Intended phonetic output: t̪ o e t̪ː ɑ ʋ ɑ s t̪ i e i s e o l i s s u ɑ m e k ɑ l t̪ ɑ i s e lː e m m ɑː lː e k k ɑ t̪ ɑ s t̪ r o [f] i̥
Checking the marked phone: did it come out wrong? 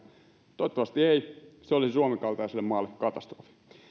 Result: no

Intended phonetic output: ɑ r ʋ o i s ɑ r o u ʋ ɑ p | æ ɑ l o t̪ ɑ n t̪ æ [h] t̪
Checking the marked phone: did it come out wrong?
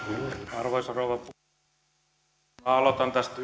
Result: yes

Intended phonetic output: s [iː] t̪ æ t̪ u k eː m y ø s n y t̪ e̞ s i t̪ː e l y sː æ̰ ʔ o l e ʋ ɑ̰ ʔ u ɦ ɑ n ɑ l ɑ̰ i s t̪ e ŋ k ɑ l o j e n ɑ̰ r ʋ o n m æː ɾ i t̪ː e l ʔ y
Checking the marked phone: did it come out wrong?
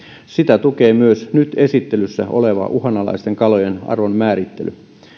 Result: yes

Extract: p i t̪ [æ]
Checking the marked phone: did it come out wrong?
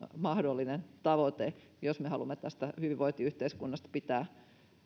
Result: yes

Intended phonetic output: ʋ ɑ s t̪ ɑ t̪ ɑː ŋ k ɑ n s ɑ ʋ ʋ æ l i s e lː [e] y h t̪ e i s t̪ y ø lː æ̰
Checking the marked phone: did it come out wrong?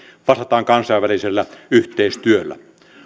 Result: yes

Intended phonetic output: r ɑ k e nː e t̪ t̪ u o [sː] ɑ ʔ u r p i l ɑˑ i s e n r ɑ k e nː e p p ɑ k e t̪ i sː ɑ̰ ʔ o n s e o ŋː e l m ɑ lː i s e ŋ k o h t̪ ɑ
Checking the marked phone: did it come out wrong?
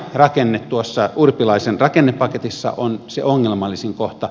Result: no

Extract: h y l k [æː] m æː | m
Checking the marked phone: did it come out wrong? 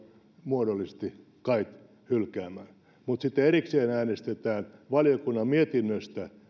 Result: no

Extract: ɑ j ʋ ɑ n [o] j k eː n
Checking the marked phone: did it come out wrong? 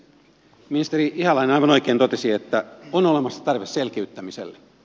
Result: no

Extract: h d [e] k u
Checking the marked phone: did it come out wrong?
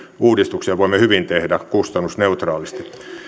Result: yes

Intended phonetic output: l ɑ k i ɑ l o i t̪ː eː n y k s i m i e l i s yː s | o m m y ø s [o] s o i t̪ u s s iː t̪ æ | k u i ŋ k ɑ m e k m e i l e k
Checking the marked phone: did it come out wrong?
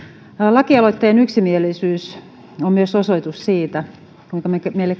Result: no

